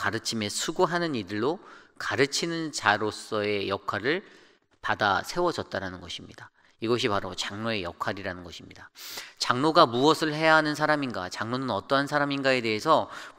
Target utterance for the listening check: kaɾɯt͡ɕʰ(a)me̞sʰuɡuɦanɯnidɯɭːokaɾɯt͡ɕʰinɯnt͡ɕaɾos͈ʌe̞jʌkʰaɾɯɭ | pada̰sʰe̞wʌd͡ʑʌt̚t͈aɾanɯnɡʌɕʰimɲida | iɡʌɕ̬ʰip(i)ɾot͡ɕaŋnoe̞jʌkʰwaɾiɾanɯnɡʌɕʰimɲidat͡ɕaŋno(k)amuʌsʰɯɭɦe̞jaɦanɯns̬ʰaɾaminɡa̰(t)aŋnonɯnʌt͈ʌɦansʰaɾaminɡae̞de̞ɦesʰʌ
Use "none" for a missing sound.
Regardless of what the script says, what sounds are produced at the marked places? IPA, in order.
i, a, ɡ, t͡ɕ

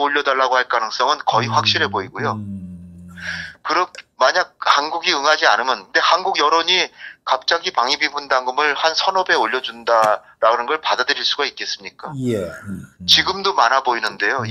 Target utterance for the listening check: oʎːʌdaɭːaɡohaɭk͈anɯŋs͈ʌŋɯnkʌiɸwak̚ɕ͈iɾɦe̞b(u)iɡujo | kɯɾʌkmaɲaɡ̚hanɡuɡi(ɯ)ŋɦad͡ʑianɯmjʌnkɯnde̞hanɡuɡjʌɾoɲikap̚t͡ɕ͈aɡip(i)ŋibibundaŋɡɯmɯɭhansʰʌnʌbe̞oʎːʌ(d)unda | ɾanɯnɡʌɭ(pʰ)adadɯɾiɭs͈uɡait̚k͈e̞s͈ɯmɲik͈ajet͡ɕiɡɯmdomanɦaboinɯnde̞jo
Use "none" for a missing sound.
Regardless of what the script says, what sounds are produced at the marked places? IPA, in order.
o, ɯ, a, d͡ʑ, p

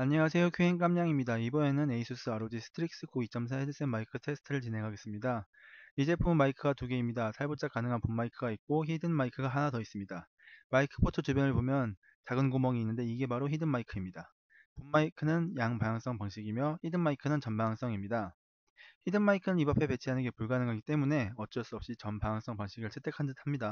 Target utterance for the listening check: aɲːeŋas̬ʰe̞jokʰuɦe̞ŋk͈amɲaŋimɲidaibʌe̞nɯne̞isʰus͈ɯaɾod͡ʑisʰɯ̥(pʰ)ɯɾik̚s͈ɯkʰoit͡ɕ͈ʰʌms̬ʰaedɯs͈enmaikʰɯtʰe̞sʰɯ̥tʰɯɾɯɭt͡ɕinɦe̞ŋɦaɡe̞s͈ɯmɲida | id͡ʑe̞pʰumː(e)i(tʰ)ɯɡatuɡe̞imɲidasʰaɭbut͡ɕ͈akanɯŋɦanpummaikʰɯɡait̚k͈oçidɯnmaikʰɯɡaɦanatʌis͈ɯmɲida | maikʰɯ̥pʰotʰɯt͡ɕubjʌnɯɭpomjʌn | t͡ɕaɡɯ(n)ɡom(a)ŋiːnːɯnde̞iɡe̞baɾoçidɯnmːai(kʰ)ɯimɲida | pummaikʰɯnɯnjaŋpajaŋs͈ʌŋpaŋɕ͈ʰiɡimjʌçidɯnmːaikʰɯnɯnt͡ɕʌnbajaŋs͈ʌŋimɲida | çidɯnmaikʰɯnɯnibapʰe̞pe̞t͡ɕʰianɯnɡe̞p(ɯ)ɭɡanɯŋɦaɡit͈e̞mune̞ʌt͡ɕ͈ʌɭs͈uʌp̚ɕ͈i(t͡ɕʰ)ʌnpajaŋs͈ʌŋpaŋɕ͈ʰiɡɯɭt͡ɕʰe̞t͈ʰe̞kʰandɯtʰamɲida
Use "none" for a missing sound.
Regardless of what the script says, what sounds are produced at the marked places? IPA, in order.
tʰ, a, kʰ, n, ʌ, kʰ, u, t͡ɕ

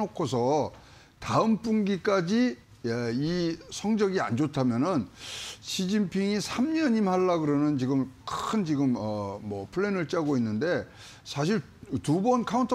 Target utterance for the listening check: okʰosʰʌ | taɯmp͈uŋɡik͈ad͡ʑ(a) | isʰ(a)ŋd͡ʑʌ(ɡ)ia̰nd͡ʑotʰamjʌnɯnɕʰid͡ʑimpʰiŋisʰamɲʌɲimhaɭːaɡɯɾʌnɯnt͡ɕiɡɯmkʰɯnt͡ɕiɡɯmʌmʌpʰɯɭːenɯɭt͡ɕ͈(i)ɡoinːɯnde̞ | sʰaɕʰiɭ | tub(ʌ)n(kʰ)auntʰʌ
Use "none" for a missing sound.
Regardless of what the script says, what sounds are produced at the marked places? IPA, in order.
i, ʌ, ɡ, a, ʌ, kʰ

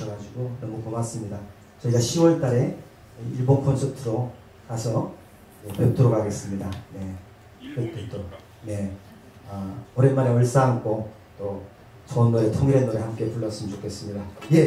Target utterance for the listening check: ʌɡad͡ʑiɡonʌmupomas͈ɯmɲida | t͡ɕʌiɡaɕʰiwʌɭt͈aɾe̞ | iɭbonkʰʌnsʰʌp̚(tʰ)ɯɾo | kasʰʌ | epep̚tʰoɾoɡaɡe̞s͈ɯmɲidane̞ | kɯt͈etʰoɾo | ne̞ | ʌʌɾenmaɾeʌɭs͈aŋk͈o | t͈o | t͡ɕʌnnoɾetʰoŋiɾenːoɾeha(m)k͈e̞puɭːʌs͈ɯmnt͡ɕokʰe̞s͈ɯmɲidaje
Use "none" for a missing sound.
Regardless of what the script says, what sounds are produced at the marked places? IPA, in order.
tʰ, m

